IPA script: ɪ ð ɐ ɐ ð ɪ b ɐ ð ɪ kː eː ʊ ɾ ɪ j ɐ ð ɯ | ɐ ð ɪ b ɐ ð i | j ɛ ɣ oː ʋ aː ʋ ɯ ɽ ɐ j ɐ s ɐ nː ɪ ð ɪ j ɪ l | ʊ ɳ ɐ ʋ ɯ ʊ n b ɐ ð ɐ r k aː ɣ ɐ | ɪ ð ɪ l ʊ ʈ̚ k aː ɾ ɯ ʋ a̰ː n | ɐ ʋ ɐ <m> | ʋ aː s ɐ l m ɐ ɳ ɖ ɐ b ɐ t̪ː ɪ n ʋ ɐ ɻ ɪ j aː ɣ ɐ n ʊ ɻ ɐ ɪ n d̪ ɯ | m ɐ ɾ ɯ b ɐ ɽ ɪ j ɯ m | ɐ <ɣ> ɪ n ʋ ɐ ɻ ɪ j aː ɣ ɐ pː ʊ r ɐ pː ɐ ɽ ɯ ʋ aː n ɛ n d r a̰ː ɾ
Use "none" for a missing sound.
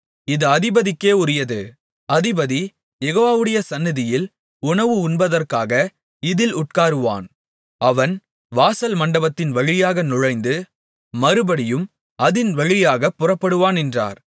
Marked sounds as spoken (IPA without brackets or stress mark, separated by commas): n, ð